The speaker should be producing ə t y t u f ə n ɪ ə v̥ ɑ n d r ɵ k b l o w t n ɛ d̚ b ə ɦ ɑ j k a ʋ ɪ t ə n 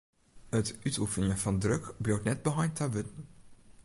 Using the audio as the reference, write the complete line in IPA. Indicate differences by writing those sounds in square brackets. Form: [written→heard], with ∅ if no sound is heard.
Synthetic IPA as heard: ə t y t u f ə n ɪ ə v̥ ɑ n d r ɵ k b l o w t n ɛ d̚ b ə ɦ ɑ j [k→t] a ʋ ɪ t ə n